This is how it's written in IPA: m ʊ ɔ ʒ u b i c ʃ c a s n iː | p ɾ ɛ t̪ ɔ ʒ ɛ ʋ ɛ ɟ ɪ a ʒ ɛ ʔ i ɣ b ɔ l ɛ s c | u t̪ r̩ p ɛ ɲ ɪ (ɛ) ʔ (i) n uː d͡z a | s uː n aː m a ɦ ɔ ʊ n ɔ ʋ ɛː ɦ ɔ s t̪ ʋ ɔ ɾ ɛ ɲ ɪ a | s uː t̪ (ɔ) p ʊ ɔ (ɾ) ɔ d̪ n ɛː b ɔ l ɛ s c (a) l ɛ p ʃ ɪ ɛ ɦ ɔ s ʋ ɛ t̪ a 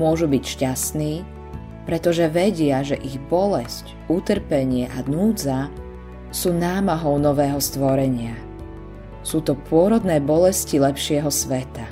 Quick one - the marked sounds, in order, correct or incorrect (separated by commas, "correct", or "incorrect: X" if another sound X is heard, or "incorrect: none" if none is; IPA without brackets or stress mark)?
correct, incorrect: a, correct, correct, incorrect: i